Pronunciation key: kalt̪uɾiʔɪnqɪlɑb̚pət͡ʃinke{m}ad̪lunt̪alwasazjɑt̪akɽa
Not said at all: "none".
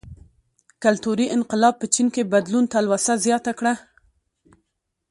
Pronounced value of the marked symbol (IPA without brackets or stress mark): b